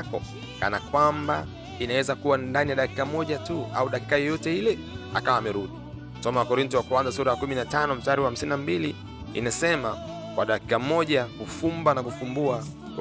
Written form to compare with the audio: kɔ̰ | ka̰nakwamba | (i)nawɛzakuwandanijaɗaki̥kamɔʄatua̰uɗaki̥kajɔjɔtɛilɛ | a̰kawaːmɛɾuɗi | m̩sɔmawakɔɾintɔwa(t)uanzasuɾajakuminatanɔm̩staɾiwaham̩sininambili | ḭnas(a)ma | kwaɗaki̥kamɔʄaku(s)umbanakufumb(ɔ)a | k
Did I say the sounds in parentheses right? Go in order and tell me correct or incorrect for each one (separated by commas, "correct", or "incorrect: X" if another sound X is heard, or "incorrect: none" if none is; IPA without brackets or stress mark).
correct, incorrect: k, incorrect: ɛ, incorrect: f, incorrect: u